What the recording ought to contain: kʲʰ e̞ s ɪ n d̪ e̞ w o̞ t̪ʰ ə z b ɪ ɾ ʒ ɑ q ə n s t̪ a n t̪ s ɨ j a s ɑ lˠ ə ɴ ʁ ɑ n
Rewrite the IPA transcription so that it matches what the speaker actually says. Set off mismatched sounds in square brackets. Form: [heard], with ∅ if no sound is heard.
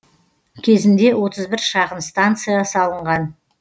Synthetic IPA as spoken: kʲʰ e̞ [z] ɪ n d̪ e̞ w o̞ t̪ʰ ə z b ɪ ɾ [ʃ] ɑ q ə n s t̪ a n t̪ s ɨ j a s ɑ lˠ ə ɴ ʁ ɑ n

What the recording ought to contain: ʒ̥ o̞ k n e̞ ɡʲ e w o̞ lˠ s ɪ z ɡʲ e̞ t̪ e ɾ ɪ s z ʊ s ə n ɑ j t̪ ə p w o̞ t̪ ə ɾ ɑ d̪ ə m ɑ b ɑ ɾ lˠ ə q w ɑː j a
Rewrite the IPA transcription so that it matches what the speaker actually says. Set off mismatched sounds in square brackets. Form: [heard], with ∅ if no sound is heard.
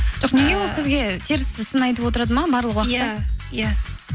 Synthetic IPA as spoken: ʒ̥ o̞ [q] n e̞ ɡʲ e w o̞ lˠ s ɪ z ɡʲ e̞ [t̪ʰ] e ɾ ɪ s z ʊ s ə n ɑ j t̪ ə p w o̞ t̪ ə ɾ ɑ d̪ ə m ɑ b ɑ ɾ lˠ ə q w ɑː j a

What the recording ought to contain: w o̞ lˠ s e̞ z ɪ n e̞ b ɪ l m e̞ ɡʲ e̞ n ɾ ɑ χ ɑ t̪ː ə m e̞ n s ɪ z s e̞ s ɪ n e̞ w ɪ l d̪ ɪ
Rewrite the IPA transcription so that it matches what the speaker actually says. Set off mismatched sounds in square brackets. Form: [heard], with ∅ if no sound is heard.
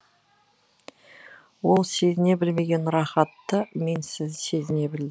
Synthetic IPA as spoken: w o̞ lˠ s e̞ z ɪ n e̞ b ɪ l m e̞ ɡʲ e̞ n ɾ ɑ χ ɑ t̪ː ə m e̞ n s ɪ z s e̞ [z] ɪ n e̞ [b] ɪ l d̪ ɪ

